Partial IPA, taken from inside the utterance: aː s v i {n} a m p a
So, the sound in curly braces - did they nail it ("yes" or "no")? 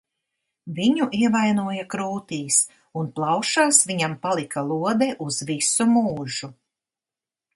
no